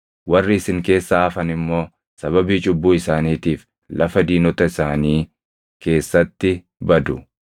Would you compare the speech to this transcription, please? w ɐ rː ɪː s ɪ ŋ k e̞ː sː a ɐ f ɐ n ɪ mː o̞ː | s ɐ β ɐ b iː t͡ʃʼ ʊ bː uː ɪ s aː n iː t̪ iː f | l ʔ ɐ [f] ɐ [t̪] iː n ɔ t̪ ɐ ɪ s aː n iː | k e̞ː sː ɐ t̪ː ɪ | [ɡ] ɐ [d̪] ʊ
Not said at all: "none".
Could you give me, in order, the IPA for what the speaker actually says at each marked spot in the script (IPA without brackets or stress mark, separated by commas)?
f, d̪, b, d̪